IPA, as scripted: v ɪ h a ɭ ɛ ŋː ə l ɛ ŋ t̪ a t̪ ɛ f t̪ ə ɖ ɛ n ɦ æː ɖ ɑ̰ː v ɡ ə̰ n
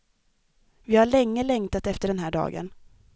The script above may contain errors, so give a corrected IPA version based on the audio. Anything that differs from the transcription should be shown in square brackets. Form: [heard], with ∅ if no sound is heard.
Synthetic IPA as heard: v ɪ h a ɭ ɛ ŋː ə l ɛ ŋ t̪ a t̪ ɛ f t̪ ə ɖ ɛ n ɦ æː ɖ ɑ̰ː [∅] ɡ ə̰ n